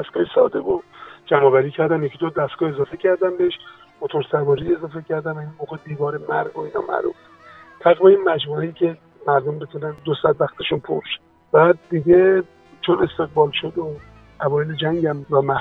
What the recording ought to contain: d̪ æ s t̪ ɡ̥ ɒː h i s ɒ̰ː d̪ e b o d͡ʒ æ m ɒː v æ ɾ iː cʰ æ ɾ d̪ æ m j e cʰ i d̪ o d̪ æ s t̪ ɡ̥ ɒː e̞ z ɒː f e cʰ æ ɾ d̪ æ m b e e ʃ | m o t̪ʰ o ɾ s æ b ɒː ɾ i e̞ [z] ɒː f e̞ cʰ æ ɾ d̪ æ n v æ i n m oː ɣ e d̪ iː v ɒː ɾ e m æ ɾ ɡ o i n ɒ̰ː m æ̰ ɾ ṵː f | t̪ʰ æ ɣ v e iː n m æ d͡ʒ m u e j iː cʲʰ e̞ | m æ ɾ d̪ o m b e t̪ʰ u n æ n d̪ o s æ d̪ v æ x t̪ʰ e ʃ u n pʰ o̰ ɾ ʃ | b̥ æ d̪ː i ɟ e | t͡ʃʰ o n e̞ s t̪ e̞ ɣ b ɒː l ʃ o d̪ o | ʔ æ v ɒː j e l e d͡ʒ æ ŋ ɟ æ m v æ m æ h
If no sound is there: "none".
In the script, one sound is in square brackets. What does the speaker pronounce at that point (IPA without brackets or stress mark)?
z